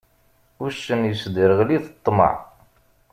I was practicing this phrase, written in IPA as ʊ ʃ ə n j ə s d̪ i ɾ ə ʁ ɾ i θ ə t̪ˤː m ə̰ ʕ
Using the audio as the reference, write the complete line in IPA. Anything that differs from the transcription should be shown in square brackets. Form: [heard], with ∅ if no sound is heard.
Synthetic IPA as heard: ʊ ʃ ə n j ə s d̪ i ɾ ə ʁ [l] i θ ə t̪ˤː m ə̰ ʕ